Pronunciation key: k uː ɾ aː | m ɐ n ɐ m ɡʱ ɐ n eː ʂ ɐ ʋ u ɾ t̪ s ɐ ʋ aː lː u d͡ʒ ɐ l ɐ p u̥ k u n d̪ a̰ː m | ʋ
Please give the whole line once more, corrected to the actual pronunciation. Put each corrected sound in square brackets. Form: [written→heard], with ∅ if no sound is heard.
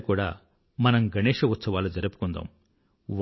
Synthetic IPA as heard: k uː [ɾ→ɽ] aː | m ɐ n ɐ m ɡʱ ɐ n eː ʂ ɐ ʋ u [ɾ→∅] t̪ s ɐ ʋ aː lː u d͡ʒ ɐ [l→ɾ] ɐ p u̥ k u n d̪ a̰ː m | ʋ